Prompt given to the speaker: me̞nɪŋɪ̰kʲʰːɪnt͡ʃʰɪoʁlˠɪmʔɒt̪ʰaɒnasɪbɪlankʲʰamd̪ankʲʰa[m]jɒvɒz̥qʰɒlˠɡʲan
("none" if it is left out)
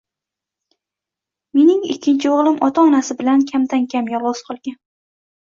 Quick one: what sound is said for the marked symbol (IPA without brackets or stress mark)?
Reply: m